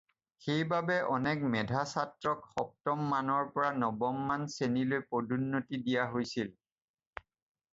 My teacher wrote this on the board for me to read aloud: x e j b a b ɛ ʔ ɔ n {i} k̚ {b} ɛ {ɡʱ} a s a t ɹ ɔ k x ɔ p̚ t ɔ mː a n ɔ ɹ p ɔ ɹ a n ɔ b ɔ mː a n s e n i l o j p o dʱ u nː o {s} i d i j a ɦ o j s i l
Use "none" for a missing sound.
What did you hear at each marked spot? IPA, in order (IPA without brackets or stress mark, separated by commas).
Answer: ɛ, m, dʱ, t